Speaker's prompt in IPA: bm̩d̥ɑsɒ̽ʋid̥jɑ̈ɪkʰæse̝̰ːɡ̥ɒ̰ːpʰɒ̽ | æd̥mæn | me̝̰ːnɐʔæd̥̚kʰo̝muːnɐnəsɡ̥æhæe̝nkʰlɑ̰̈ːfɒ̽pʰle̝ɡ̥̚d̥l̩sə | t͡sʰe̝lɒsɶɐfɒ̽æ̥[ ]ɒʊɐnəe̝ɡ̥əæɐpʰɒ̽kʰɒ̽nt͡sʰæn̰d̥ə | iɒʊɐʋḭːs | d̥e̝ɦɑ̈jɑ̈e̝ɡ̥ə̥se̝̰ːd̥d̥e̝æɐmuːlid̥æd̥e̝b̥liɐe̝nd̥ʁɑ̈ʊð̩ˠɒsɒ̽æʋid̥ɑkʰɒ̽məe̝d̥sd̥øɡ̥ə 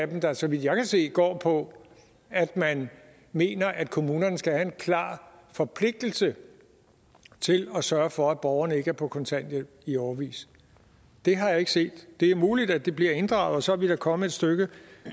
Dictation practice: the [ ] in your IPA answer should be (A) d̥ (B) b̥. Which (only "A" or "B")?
B